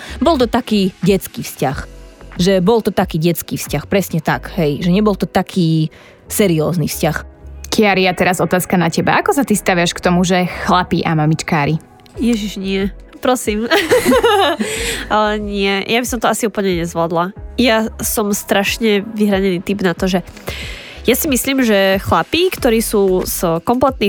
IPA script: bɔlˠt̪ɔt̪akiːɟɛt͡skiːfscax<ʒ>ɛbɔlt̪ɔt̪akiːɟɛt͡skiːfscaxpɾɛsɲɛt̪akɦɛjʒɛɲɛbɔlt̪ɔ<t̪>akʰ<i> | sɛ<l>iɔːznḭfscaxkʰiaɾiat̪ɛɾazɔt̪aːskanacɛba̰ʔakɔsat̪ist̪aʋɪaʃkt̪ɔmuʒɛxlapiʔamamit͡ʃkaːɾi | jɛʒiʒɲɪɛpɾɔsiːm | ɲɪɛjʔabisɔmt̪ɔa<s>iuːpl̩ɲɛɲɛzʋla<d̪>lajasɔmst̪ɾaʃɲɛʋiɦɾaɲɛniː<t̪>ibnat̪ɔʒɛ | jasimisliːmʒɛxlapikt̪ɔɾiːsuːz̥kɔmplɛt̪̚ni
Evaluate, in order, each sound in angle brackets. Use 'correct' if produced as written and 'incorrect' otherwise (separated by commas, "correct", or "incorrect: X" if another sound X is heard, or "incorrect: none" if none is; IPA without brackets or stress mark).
correct, correct, incorrect: iː, incorrect: ɾ, correct, correct, correct